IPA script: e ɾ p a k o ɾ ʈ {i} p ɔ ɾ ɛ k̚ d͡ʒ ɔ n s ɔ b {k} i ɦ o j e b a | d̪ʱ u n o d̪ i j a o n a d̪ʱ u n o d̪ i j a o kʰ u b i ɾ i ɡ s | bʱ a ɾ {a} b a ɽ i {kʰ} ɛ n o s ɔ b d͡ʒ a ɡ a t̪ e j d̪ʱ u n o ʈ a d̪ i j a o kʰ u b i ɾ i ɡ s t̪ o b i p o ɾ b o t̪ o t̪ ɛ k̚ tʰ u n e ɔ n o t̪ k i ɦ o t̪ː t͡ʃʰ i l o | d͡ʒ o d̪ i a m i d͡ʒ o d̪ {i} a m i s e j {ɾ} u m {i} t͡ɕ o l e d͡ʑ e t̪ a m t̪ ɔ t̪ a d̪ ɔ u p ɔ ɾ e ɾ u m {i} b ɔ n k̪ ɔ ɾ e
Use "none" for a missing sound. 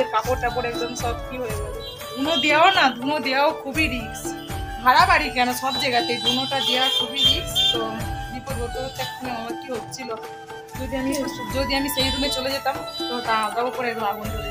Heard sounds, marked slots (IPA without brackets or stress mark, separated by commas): a, k, a, k, i, ɾ, e, a